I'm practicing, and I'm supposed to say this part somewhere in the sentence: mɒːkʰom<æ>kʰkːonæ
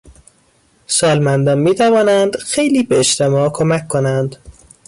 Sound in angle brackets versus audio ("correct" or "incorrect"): correct